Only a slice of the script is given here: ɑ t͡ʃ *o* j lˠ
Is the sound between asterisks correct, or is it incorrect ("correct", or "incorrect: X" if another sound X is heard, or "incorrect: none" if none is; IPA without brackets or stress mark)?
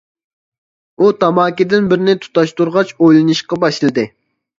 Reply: correct